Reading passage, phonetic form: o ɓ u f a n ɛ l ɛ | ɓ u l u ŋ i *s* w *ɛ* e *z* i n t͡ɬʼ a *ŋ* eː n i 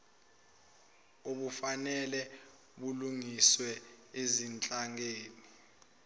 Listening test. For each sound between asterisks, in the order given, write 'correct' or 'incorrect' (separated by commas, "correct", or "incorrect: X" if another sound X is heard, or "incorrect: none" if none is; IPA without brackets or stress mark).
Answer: correct, correct, correct, correct